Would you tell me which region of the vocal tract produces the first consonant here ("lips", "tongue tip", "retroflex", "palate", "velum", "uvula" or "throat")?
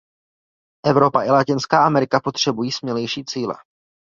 throat